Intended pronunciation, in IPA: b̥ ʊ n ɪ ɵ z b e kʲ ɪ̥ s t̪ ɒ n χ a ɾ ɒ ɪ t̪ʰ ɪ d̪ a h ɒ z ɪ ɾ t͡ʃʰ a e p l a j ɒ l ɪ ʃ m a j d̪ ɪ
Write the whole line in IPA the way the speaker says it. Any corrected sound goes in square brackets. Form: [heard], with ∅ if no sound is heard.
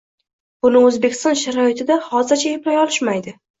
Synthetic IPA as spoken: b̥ ʊ n ɪ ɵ z b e kʲ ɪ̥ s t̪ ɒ n [ʃ] a ɾ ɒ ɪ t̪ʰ ɪ d̪ a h ɒ z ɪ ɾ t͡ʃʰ a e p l a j ɒ l ɪ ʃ m a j d̪ ɪ